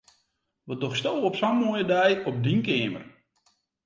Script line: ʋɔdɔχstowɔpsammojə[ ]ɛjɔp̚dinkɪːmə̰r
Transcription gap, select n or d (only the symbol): d